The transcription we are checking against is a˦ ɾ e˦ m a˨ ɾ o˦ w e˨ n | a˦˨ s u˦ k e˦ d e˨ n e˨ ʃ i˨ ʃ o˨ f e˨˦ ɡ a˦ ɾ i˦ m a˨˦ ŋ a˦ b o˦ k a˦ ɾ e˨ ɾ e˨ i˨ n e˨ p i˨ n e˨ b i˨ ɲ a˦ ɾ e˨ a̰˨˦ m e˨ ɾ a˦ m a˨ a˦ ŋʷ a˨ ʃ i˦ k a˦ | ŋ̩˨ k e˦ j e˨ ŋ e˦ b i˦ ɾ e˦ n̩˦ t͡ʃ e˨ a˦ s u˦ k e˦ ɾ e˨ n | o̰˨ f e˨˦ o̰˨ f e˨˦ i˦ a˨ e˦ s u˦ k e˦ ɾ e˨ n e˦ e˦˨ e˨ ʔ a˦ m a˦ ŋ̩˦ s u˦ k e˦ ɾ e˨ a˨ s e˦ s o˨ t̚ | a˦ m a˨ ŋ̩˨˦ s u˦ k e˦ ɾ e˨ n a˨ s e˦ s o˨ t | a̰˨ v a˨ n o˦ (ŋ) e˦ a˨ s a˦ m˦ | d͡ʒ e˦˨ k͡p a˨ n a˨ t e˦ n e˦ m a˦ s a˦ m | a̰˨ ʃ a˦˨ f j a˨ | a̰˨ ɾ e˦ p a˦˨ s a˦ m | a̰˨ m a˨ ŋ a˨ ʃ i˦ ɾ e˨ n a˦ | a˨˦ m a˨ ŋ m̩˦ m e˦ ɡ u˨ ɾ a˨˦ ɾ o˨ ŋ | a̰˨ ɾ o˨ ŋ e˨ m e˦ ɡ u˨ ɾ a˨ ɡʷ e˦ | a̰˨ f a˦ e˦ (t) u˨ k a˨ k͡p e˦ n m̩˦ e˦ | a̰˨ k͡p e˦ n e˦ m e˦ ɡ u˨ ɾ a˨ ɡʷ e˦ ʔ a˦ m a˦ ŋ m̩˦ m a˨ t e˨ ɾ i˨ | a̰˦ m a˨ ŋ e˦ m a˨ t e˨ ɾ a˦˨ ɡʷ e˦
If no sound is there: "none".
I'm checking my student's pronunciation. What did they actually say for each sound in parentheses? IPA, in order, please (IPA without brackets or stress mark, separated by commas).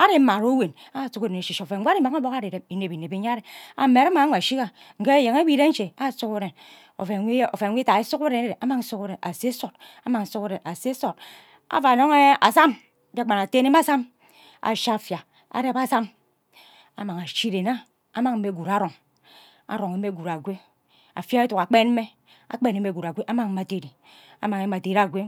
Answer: ŋ, t